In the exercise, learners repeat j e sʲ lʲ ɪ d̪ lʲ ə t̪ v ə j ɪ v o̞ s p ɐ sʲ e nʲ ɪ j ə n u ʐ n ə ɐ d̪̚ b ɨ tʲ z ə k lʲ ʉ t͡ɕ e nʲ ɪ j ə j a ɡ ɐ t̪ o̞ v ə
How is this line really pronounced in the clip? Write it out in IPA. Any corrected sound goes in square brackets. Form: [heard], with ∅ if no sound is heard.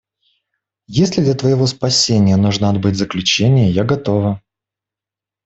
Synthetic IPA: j e sʲ lʲ ɪ d̪ lʲ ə t̪ v ə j ɪ v o̞ s p ɐ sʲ e nʲ ɪ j ə n u ʐ n ə ɐ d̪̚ b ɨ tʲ z ə k lʲ ʉ t͡ɕ e nʲ ɪ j ə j a ɡ ɐ t̪ o̞ v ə

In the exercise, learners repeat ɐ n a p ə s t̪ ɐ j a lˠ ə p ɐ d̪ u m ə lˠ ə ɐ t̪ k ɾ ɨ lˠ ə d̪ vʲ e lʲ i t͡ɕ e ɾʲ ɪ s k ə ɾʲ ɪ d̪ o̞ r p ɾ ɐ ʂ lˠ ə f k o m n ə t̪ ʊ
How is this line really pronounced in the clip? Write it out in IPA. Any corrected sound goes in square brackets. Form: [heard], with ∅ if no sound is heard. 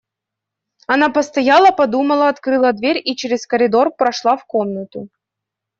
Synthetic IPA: ɐ n a p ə s t̪ ɐ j a lˠ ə p ɐ d̪ u m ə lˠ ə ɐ t̪ k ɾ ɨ lˠ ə d̪ vʲ e [ɾʲ] i t͡ɕ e ɾʲ ɪ s k ə ɾʲ ɪ d̪ o̞ r p ɾ ɐ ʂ lˠ [a] f k o m n ə t̪ ʊ

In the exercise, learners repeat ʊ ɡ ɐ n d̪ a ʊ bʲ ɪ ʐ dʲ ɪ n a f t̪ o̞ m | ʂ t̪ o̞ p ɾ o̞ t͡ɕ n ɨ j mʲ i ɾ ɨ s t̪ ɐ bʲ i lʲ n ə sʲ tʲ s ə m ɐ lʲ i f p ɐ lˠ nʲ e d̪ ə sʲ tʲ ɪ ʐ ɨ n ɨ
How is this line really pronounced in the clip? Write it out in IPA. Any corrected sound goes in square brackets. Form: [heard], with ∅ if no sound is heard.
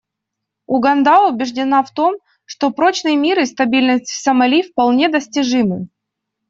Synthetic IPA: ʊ ɡ ɐ n d̪ a ʊ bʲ ɪ ʐ dʲ ɪ n a f t̪ o̞ m | ʂ t̪ o̞ p ɾ o̞ t͡ɕ n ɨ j mʲ i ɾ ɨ s t̪ ɐ bʲ i lʲ n ə sʲ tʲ s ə m ɐ lʲ i f p ɐ lˠ nʲ e d̪ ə sʲ tʲ ɪ ʐ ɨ [m] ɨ

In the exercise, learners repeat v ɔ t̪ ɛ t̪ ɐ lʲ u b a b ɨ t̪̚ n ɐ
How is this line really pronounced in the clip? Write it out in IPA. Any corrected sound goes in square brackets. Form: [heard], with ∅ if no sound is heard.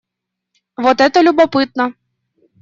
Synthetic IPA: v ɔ t̪ ɛ t̪ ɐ lʲ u b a [p] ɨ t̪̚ n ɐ

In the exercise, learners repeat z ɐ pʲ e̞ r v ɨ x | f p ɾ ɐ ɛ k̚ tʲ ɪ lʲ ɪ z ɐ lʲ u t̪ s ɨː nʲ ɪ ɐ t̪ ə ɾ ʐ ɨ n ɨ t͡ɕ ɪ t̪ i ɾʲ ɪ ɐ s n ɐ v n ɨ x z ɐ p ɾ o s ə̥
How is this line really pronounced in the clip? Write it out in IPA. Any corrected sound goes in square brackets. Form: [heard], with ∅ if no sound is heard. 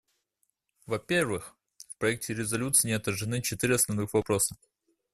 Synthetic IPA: [v] ɐ pʲ e̞ r v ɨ x | f p ɾ ɐ ɛ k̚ tʲ ɪ [ɾʲ] ɪ z ɐ lʲ u t̪ s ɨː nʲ ɪ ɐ t̪ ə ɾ ʐ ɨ n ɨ t͡ɕ ɪ t̪ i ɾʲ ɪ ɐ s n ɐ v n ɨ x [v] ɐ p ɾ o s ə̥

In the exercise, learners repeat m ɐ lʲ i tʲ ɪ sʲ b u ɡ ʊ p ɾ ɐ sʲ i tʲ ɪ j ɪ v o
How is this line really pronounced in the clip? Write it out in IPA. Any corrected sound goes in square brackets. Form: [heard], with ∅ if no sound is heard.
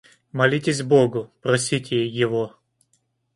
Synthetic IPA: m ɐ lʲ i tʲ ɪ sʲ b [o] ɡ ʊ p ɾ ɐ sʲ i tʲ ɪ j ɪ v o

